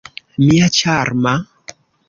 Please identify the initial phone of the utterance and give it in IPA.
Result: m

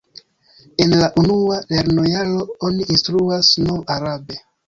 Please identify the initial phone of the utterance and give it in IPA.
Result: e̞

